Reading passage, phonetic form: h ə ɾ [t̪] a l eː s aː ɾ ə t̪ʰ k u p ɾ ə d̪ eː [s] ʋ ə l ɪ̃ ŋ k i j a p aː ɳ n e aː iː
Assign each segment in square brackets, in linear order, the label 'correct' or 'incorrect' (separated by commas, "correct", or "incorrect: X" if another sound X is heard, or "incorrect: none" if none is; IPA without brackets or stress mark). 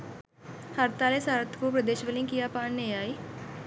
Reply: correct, incorrect: ʃ